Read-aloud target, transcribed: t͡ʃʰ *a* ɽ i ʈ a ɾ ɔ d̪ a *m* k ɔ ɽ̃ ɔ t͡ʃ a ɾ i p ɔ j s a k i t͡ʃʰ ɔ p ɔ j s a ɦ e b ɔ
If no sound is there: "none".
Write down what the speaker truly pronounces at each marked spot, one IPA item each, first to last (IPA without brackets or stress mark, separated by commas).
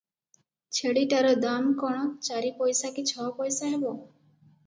e, m